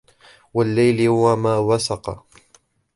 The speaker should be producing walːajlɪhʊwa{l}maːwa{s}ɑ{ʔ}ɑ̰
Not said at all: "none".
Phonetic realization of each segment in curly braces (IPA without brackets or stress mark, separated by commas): none, s, q